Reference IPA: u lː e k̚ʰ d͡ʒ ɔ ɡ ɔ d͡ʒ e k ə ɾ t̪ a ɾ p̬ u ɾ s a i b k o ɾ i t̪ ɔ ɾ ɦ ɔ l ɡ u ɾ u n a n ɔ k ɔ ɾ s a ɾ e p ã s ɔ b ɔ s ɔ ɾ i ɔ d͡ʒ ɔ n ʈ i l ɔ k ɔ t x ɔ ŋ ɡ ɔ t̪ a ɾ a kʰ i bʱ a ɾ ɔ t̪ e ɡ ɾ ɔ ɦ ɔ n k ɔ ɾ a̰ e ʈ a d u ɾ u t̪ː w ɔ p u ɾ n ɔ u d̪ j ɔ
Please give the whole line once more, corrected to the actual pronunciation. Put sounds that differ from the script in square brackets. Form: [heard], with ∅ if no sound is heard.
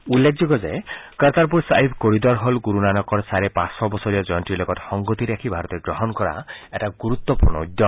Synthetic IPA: u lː e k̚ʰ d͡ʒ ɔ ɡ ɔ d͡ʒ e k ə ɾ t̪ a ɾ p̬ u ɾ s a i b k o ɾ i [d̪] ɔ ɾ ɦ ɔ l ɡ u ɾ u n a n ɔ k ɔ ɾ s a ɾ e p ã s ɔ b ɔ s ɔ ɾ i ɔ d͡ʒ ɔ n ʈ i l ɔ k ɔ t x ɔ ŋ ɡ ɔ t̪ [i] ɾ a kʰ i bʱ a ɾ ɔ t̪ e ɡ ɾ ɔ ɦ ɔ n k ɔ ɾ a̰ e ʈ a [ɡ] u ɾ u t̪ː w ɔ p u ɾ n ɔ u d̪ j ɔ